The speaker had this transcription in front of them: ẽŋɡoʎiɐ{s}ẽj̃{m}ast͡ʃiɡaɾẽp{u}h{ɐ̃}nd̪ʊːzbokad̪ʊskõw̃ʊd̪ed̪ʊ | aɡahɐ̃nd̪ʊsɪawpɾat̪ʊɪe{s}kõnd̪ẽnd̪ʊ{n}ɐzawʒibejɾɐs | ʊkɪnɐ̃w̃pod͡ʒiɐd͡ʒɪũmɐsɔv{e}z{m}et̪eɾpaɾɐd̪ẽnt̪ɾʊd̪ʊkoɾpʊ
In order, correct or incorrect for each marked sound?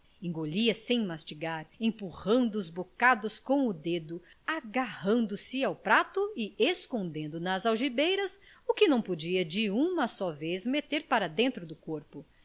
correct, correct, correct, correct, correct, correct, correct, correct

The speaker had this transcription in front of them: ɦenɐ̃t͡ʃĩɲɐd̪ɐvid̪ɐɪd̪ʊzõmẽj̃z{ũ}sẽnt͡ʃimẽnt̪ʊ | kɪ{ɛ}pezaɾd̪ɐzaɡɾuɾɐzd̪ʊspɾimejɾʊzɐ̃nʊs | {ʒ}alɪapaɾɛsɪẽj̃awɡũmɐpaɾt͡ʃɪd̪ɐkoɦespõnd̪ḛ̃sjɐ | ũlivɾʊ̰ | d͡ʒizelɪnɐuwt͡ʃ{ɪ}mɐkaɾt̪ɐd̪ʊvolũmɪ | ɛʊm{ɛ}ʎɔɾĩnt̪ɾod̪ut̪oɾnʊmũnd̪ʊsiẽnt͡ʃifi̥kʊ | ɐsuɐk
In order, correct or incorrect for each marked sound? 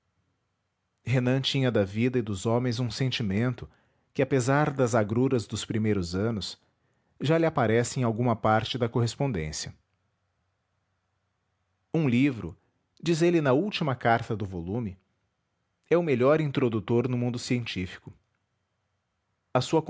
correct, incorrect: a, correct, incorrect: i, incorrect: e

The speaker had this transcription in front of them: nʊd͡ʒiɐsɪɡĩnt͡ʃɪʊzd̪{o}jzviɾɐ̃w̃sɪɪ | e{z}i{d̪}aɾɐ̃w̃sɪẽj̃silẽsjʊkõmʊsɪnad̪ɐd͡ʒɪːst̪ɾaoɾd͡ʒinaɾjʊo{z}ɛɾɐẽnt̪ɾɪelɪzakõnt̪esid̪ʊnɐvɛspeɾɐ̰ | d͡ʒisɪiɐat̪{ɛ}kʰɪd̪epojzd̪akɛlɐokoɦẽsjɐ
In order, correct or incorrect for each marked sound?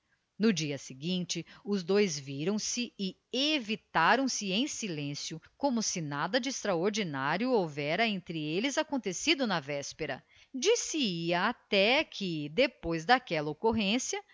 correct, incorrect: v, incorrect: t̪, incorrect: v, correct

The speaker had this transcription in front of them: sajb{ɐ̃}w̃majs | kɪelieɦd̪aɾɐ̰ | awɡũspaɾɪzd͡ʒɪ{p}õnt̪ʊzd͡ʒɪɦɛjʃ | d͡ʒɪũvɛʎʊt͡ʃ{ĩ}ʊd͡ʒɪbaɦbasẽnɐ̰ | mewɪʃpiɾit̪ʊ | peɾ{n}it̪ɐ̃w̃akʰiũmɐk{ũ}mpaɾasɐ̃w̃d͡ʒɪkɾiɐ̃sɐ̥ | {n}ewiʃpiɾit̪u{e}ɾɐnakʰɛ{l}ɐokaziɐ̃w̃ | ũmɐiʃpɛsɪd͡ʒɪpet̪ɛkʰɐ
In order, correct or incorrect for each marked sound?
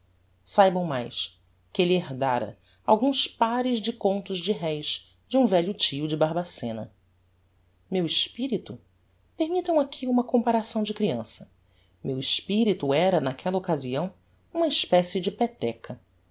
correct, incorrect: k, incorrect: i, incorrect: m, incorrect: õ, incorrect: m, incorrect: ɛ, correct

